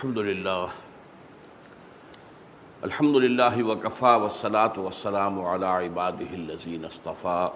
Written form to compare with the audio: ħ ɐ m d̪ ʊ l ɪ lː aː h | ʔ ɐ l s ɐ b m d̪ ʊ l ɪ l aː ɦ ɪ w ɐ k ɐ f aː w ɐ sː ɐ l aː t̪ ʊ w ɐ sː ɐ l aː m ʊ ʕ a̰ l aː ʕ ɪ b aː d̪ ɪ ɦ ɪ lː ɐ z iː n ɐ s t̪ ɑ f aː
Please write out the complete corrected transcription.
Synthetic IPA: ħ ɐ m d̪ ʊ l ɪ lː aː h | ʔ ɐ l ħ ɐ m d̪ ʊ l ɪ lː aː ɦ ɪ w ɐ k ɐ f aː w ɐ sː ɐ l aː t̪ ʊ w ɐ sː ɐ l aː m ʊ ʕ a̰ l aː ʕ ɪ b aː d̪ ɪ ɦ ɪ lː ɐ z iː n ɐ s t̪ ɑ f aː